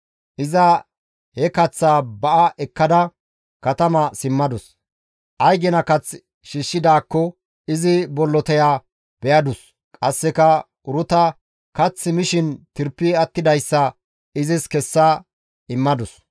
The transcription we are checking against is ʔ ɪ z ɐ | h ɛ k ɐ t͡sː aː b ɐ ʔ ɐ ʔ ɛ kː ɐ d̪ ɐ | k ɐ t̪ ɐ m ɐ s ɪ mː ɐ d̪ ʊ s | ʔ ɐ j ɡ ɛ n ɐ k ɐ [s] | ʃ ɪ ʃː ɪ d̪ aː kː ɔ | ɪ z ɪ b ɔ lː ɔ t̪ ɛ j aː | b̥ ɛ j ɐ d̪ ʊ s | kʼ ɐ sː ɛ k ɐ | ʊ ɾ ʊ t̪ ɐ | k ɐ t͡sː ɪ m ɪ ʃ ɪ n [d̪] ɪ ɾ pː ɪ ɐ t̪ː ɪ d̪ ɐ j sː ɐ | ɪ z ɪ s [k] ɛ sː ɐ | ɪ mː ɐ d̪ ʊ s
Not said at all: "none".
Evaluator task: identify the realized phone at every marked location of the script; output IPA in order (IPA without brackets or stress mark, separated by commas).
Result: t͡s, t̪, k